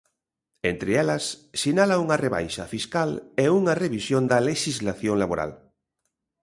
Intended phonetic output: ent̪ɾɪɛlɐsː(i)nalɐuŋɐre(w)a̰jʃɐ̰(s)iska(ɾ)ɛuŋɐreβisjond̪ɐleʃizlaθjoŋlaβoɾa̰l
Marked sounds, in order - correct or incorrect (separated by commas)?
correct, incorrect, incorrect, incorrect